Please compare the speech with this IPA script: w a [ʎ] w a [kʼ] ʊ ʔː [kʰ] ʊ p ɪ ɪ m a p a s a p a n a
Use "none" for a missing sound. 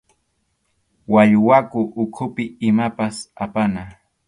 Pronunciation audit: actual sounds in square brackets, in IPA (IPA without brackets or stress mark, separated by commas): ʎ, k, kʰ